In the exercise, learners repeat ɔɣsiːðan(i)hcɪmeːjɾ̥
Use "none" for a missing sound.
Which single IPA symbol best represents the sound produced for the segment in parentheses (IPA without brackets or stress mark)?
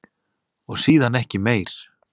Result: ɛ